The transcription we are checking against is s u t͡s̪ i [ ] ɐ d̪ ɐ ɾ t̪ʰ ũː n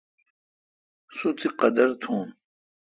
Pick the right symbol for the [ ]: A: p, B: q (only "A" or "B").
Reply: B